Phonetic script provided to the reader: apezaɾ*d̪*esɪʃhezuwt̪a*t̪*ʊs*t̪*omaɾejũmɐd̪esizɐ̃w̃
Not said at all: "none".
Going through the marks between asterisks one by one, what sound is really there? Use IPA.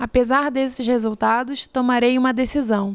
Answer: d̪, d̪, t̪

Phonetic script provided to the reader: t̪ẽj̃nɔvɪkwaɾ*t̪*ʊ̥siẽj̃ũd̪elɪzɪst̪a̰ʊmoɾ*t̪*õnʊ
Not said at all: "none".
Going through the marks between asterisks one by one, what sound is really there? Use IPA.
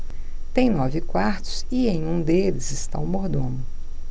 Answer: t̪, d̪

